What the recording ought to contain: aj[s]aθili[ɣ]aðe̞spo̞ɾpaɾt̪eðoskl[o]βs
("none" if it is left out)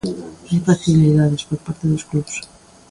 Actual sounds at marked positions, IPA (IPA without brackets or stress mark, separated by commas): f, ð, u